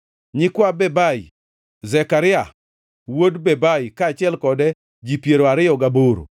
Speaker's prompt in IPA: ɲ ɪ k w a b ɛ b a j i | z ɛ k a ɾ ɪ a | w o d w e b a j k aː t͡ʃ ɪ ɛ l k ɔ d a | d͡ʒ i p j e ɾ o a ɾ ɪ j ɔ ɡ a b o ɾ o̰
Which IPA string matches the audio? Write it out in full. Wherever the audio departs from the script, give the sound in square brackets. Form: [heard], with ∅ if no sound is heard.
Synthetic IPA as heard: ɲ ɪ k w a b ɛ b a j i | z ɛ k a ɾ ɪ a | w o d [b] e b a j k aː t͡ʃ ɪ ɛ l k ɔ d [ɛ] | d͡ʒ i p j e ɾ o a ɾ ɪ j ɔ ɡ a b o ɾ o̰